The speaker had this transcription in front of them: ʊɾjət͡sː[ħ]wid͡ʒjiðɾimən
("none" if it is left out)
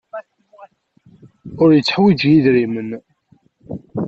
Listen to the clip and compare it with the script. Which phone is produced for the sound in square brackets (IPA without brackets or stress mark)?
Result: ħ